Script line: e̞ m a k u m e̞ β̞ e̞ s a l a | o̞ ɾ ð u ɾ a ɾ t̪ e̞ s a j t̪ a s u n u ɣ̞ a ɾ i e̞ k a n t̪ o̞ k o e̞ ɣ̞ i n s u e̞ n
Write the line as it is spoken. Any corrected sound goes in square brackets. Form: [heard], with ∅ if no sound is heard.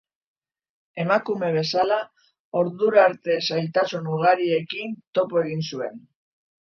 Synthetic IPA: e̞ m a k u m e̞ β̞ e̞ s a l a | o̞ ɾ ð u ɾ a ɾ t̪ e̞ s a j t̪ a s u n u ɣ̞ a ɾ i e̞ k [i] n t̪ o̞ [p] o e̞ ɣ̞ i n s u e̞ n